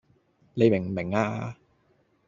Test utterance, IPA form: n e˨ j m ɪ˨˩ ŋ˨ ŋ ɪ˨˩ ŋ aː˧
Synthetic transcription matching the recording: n e˨ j m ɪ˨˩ ŋ˨ m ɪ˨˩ ŋ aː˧